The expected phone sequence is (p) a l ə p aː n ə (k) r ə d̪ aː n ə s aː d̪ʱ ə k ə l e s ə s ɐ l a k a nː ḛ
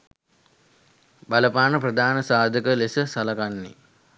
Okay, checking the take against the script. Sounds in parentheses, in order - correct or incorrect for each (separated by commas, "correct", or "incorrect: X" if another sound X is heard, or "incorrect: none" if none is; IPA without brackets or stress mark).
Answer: incorrect: b, incorrect: p